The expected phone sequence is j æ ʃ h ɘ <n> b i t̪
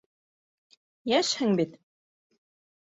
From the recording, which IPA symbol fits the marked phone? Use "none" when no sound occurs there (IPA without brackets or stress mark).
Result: ŋ